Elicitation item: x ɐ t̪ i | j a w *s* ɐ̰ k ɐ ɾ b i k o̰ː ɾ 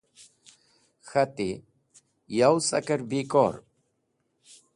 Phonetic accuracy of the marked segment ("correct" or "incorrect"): correct